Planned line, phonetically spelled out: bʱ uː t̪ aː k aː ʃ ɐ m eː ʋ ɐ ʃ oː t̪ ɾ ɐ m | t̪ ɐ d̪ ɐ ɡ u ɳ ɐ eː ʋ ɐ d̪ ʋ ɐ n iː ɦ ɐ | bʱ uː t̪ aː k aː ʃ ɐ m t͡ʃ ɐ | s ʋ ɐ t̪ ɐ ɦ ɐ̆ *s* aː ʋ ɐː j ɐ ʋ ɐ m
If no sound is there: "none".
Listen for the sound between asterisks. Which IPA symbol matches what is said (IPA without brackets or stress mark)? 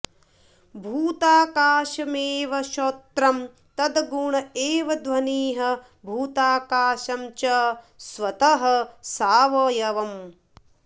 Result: s